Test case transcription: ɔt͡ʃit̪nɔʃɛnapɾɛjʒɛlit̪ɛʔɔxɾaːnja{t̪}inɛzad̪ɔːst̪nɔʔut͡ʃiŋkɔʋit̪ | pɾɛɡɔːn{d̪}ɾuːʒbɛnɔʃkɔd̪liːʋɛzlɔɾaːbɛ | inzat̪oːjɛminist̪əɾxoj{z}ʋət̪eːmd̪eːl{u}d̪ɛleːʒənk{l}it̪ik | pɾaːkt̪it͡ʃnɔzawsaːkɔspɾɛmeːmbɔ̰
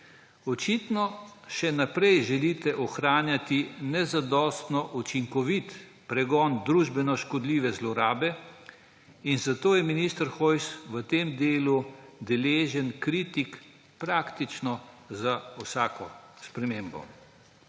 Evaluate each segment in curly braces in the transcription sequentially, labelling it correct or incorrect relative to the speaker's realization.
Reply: correct, correct, incorrect: s, correct, incorrect: ɾ

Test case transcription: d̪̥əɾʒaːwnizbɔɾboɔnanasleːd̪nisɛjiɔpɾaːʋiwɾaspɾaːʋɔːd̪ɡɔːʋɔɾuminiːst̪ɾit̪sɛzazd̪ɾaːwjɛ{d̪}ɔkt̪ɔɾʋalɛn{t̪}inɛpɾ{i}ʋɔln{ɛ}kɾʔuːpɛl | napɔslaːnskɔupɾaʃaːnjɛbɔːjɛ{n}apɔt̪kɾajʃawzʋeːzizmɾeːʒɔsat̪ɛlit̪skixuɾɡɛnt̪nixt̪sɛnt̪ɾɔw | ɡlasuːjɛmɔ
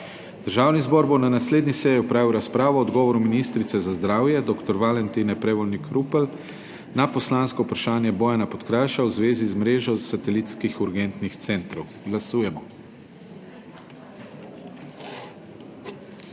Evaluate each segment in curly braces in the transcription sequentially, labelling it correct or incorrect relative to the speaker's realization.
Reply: correct, correct, incorrect: ɛ, incorrect: i, correct

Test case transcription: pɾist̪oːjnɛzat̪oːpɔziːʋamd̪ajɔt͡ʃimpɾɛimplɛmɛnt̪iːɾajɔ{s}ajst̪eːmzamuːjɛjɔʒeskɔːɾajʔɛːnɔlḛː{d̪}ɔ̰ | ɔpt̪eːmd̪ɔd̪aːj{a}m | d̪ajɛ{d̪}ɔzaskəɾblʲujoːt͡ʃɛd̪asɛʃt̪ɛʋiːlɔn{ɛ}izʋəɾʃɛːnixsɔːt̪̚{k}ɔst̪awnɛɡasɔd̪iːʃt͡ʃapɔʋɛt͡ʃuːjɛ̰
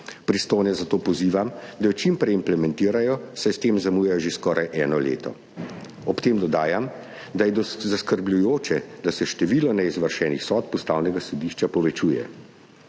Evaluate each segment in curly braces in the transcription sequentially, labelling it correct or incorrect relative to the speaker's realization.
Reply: correct, incorrect: t̪, correct, correct, correct, incorrect: p

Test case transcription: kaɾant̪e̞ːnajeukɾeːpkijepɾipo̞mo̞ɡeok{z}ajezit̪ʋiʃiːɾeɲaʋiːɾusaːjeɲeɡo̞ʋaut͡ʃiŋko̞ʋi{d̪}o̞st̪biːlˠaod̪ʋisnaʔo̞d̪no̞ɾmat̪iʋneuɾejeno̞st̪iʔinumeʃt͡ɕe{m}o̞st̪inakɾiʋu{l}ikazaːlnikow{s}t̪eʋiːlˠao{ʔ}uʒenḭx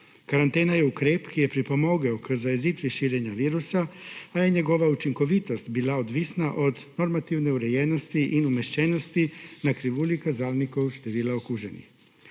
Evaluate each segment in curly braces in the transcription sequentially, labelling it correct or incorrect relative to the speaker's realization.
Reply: correct, incorrect: t̪, incorrect: n, correct, incorrect: ʃ, incorrect: k

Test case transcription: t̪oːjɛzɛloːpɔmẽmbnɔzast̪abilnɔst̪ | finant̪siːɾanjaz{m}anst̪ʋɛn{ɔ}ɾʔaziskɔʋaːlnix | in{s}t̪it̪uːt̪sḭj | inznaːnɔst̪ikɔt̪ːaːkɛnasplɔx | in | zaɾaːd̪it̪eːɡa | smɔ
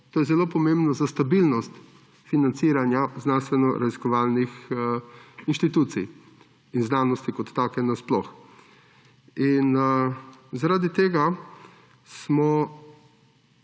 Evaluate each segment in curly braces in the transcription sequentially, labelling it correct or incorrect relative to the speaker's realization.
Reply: incorrect: n, correct, incorrect: ʃ

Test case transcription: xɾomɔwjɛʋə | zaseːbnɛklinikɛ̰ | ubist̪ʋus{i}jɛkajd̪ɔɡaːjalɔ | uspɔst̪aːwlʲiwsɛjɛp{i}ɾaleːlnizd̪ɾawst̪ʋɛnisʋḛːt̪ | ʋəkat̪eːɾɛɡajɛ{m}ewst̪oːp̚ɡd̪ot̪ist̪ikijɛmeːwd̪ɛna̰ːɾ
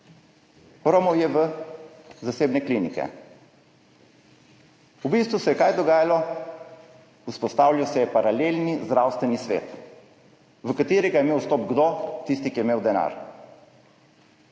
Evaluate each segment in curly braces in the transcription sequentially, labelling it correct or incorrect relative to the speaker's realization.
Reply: incorrect: ɛ, incorrect: a, correct

